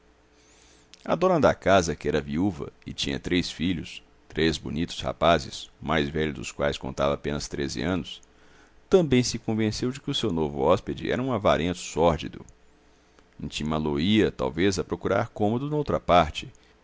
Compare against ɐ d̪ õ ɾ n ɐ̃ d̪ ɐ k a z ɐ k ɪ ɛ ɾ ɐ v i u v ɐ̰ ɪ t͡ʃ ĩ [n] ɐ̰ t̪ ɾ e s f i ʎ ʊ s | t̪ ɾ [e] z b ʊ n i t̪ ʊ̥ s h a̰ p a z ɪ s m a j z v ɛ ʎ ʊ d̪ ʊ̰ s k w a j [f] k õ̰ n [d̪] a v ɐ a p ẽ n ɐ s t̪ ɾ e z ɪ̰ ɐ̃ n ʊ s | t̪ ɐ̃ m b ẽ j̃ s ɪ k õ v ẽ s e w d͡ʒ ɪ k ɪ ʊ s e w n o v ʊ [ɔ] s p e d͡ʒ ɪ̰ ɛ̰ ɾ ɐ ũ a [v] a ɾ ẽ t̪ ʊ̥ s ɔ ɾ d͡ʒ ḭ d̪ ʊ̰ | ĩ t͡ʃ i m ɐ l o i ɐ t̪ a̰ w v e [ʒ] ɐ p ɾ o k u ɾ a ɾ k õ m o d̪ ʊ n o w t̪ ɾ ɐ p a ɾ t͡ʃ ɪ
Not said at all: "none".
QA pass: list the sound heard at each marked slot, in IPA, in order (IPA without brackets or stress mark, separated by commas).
ɲ, e, s, t̪, ɔ, v, z